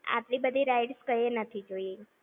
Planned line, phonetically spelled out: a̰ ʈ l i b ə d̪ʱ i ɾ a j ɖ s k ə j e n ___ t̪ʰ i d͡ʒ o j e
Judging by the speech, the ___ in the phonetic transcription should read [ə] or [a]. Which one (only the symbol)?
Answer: ə